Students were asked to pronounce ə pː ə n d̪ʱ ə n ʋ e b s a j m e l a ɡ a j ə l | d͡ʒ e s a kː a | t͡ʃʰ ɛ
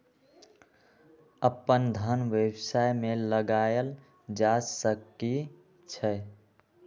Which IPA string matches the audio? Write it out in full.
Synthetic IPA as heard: ə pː ə n d̪ʱ ə n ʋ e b s a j m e l ə ɡ a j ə l | d͡ʒ a s ə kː i | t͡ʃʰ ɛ